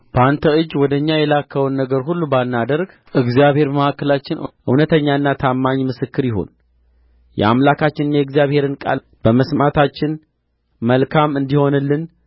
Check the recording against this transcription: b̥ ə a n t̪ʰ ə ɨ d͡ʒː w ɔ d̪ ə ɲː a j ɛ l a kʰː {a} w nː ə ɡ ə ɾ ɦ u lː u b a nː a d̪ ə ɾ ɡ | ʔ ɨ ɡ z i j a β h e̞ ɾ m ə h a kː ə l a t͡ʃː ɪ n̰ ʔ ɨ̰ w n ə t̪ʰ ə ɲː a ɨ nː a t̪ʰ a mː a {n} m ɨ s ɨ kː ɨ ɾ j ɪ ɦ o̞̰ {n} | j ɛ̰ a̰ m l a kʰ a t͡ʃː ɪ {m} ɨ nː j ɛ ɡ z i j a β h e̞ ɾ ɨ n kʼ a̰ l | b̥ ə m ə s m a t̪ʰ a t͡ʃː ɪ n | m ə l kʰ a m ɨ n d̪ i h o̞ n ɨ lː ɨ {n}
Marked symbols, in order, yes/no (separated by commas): no, no, yes, no, yes